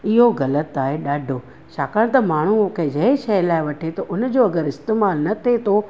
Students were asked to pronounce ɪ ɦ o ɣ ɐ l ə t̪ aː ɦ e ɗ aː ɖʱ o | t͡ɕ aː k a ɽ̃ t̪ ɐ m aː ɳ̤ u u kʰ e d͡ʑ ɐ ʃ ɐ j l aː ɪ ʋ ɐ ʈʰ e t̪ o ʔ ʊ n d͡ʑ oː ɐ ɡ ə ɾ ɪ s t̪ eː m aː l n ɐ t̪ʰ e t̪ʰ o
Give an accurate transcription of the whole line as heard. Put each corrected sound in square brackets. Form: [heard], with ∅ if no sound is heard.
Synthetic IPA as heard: ɪ ɦ o ɣ ɐ l ə t̪ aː ɦ e ɗ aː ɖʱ o | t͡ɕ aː k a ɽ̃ t̪ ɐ m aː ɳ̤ u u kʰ e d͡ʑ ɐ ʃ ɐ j l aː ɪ ʋ ɐ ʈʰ e t̪ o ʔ ʊ n d͡ʑ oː ɐ ɡ ə ɾ ɪ s t̪ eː m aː l n ɐ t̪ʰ e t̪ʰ o